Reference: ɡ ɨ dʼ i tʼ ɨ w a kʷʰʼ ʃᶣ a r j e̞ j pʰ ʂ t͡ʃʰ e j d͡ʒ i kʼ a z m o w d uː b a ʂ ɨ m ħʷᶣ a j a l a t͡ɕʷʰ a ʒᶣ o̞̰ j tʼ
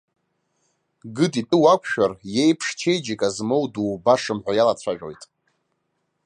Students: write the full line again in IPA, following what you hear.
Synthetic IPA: ɡ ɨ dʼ i tʼ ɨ w a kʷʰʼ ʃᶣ a r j e̞ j pʰ ʂ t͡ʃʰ e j d͡ʒ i kʼ a z m o w d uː b a ʂ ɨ m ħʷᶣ a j a l a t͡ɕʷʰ a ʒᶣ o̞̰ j tʼ